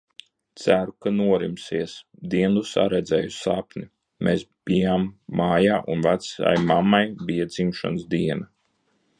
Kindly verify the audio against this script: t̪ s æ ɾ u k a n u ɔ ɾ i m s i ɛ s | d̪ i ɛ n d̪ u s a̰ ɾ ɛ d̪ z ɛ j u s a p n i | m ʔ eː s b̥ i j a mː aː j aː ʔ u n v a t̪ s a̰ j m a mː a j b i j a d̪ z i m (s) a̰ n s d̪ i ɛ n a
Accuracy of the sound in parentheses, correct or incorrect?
incorrect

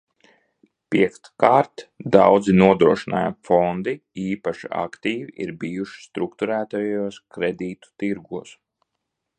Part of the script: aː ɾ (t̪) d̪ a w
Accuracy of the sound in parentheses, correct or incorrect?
correct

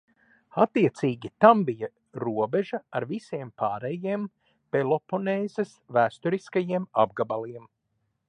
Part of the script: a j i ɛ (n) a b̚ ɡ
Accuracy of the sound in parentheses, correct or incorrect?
incorrect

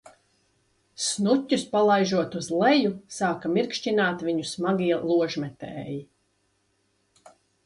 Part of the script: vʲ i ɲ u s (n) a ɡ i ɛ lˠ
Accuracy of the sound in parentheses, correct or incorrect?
incorrect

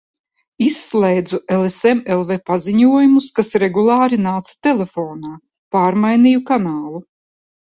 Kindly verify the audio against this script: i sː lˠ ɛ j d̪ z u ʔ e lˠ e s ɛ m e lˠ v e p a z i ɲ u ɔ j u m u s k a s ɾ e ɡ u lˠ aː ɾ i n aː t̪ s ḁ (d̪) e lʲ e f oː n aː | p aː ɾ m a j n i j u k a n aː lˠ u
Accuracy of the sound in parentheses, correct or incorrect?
incorrect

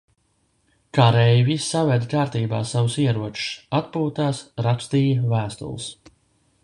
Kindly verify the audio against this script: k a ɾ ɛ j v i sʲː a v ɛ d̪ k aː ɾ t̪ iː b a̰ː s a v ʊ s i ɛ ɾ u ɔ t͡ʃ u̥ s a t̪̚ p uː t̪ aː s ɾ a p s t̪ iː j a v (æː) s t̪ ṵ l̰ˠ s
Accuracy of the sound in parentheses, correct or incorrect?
correct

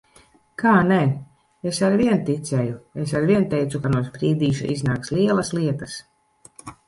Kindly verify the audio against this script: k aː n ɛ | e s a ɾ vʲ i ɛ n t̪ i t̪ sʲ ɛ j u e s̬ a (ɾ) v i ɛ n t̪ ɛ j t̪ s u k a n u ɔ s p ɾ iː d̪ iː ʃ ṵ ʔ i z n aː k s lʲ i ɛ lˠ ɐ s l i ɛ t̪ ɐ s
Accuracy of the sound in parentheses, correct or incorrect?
correct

